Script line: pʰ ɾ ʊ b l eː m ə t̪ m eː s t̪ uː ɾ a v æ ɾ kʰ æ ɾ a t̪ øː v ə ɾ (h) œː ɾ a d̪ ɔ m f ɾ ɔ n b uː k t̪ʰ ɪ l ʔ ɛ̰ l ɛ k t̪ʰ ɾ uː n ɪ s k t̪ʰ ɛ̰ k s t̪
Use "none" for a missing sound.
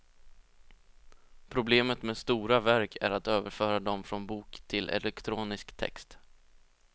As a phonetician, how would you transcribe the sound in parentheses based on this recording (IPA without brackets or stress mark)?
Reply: f